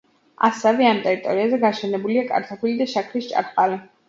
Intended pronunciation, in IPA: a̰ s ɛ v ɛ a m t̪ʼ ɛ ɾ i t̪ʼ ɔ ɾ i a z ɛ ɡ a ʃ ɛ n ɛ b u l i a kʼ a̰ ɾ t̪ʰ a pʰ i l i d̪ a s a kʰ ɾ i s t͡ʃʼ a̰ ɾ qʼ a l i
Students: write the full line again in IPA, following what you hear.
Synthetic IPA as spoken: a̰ s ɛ v ɛ a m t̪ʼ ɛ ɾ i t̪ʼ ɔ ɾ i a z ɛ ɡ a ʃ ɛ n ɛ b u l i a kʼ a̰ ɾ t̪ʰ a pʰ i l i d̪ a ʃ a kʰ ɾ i s t͡ʃʼ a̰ ɾ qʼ a l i